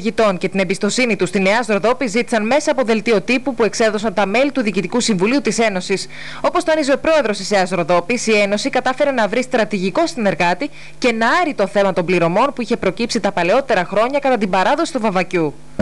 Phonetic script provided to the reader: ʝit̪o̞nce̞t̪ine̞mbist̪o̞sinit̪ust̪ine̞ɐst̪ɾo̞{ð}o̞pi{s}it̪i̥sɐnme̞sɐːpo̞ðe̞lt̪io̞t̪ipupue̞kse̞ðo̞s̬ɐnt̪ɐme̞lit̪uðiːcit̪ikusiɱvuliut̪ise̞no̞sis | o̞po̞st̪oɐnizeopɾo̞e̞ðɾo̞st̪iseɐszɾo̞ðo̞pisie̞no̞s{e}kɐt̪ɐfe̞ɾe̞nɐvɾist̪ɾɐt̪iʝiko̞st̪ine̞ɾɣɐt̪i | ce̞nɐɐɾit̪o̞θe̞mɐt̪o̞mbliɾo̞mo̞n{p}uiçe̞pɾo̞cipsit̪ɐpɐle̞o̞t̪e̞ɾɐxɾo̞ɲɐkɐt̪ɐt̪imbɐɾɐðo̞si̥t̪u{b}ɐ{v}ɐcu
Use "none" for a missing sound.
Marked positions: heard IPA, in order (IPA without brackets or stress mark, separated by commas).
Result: ð, z, i, p, v, v